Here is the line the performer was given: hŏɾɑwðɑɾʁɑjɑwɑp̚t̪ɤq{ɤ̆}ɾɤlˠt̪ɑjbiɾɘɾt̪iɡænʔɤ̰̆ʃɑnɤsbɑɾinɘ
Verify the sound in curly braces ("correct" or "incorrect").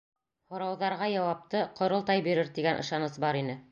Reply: incorrect